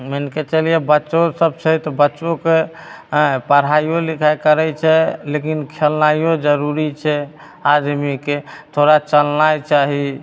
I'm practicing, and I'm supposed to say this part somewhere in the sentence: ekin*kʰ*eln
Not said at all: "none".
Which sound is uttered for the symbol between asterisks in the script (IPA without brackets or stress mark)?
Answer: kʰ